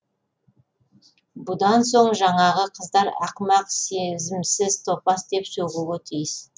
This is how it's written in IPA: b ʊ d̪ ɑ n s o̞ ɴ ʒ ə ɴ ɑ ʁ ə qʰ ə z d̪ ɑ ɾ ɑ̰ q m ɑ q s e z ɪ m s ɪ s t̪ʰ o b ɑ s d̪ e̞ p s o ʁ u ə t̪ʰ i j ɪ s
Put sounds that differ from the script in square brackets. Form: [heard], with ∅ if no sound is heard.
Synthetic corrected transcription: b ʊ d̪ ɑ n s o̞ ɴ ʒ [ɑ] ɴ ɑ ʁ ə qʰ ə z d̪ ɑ ɾ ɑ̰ q m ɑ q s e z ɪ m s ɪ [z] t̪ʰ o [p] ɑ s d̪ e̞ p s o ʁ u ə t̪ʰ i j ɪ s